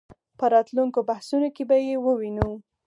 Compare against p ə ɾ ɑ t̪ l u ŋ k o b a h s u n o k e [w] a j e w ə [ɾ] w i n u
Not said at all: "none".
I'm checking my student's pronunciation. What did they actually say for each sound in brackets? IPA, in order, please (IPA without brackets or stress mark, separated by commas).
b, none